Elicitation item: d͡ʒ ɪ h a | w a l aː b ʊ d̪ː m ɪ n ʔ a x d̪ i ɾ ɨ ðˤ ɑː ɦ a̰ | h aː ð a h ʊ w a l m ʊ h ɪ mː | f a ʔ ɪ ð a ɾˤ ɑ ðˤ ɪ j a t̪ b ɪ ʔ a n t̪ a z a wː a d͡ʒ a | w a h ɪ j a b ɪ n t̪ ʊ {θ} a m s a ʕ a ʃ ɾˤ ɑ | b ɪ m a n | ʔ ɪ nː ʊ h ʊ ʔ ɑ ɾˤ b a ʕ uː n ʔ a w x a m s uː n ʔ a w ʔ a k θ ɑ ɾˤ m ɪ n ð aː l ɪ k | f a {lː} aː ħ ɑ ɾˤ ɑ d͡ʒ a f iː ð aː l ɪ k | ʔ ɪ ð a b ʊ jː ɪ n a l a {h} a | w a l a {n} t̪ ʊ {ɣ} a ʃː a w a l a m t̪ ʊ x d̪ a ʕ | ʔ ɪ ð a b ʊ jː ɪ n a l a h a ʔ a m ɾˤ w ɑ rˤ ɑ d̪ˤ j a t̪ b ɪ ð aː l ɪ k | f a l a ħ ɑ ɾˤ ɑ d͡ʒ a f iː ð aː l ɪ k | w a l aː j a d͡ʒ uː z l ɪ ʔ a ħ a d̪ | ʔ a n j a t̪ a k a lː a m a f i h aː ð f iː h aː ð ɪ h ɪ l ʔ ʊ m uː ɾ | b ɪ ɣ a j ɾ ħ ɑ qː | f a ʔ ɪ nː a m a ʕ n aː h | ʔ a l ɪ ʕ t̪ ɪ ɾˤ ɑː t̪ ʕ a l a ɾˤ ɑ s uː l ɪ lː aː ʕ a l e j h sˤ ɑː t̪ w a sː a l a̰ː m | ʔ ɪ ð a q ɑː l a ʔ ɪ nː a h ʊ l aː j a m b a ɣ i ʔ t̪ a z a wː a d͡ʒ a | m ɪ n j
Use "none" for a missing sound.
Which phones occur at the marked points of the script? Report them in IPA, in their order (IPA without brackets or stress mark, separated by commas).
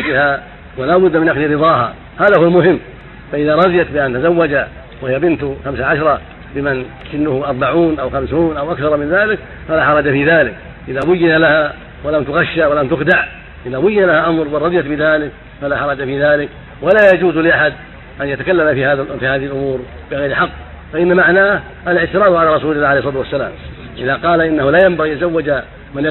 x, l, h, m, ɣ